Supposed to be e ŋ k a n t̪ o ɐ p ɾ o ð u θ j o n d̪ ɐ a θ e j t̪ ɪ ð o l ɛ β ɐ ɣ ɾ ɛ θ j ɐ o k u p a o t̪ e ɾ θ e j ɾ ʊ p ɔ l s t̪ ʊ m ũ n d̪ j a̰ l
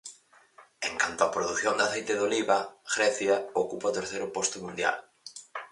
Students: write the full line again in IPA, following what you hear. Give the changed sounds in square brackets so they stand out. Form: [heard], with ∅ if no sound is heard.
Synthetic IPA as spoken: e ŋ k a n t̪ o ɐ p ɾ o ð u θ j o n d̪ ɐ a θ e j t̪ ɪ ð o l [i] β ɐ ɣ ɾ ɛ θ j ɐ o k u p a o t̪ e ɾ θ e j ɾ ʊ p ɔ [∅] s t̪ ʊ m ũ n d̪ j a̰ l